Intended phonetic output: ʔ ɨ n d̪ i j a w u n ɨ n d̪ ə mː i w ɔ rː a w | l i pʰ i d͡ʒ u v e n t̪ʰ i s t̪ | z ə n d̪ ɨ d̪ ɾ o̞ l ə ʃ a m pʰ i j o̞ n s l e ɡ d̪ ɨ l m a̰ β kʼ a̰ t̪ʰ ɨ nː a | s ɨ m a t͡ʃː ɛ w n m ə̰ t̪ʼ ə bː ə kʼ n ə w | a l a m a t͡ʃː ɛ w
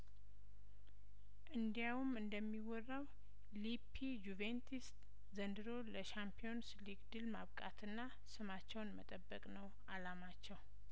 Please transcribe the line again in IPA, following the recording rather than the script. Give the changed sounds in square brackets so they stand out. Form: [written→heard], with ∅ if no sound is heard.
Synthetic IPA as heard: ʔ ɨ n d̪ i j a w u [n→m] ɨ n d̪ ə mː i w ɔ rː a w | l i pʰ i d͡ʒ u v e n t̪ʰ i s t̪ | z ə n d̪ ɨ [d̪→∅] ɾ o̞ l ə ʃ a m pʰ i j o̞ n s l [e→i] ɡ d̪ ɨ l m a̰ β kʼ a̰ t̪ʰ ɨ nː a | s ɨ m a t͡ʃː ɛ w n m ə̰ t̪ʼ ə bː ə kʼ n ə w | a l a m a t͡ʃː ɛ w